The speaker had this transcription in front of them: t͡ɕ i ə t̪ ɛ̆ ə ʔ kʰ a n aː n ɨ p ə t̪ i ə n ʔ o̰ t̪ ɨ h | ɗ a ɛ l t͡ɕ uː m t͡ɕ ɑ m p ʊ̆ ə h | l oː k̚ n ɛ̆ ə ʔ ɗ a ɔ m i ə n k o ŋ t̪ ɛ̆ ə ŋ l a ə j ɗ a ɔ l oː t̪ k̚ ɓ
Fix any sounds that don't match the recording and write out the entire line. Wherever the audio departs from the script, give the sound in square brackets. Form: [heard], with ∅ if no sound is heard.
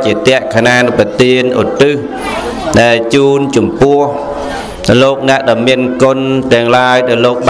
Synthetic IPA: t͡ɕ i ə t̪ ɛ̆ ə ʔ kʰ a n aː n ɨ p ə t̪ i ə n ʔ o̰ t̪ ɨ h | ɗ a ɛ l t͡ɕ uː [n] t͡ɕ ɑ m p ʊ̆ ə h | l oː k̚ n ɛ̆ ə ʔ ɗ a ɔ m i ə n k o [n] t̪ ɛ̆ ə ŋ l a ə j ɗ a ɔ l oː [∅] k̚ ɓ